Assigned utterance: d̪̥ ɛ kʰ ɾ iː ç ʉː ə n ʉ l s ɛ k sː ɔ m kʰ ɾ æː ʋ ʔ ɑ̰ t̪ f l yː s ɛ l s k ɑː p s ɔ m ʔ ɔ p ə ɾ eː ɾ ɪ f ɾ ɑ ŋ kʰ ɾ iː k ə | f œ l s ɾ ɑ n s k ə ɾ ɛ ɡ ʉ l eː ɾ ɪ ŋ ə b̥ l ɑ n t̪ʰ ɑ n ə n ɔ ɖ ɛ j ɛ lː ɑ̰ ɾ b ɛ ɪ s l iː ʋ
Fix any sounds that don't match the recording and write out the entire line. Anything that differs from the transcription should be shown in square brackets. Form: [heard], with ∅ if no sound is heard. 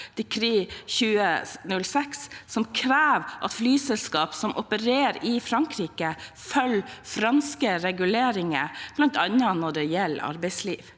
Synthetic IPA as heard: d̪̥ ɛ kʰ ɾ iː ç ʉː ə n ʉ l s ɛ k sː ɔ m kʰ ɾ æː ʋ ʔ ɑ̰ t̪ f l yː s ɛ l s k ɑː p s ɔ m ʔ ɔ p ə ɾ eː ɾ ɪ f ɾ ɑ ŋ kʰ ɾ iː k ə | f œ l [f] ɾ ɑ n s k ə ɾ ɛ ɡ ʉ l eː ɾ ɪ ŋ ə b̥ l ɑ n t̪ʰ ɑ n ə n ɔ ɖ ɛ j ɛ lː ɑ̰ ɾ b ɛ ɪ s l iː ʋ